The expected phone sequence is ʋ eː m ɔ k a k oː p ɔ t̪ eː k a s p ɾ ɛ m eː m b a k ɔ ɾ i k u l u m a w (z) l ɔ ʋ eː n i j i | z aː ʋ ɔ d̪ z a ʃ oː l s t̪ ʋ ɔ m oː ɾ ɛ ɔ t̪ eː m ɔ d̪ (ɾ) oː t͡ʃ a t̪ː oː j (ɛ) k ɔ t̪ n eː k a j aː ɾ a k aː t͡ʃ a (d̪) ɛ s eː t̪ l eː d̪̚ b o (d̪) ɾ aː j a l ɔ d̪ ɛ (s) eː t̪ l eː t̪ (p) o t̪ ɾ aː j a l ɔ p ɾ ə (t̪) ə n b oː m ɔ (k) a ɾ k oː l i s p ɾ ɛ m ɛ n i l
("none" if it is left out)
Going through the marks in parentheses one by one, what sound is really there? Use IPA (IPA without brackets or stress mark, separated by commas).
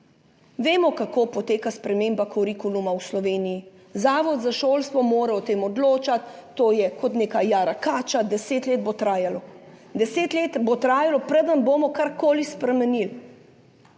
s, l, ɛ, d̪, t̪, s, b, d̪, k